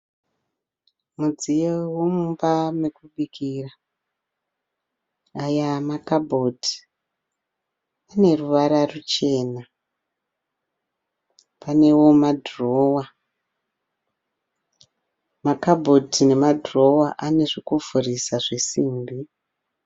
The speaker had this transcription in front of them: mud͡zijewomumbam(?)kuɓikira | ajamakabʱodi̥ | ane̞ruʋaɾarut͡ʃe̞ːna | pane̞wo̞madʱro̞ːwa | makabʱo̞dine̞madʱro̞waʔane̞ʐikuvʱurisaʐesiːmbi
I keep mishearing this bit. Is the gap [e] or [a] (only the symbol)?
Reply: e